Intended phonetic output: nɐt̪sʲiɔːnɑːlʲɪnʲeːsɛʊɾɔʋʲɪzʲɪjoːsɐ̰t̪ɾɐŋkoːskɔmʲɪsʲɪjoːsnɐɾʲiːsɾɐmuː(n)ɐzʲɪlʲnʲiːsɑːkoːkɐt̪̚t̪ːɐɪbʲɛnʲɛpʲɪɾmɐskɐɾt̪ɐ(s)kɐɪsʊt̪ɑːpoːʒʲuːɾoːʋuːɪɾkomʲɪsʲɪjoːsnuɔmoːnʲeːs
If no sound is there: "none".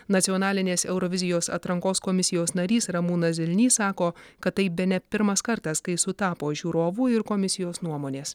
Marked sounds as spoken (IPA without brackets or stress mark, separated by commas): n, s